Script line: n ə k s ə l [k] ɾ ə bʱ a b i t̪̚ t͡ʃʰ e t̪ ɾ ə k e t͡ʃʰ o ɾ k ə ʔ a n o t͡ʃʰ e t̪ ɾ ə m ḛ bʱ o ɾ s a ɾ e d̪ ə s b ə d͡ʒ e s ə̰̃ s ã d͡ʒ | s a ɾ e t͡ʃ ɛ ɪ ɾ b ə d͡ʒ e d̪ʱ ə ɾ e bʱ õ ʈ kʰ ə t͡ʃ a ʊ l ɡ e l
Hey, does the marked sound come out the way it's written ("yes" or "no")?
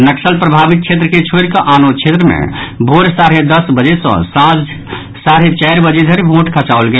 no